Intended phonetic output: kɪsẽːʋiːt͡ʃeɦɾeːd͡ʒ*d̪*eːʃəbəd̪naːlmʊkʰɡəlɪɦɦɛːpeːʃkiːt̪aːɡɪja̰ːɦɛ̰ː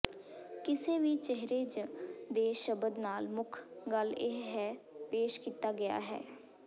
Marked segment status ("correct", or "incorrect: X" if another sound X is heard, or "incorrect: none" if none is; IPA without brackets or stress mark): correct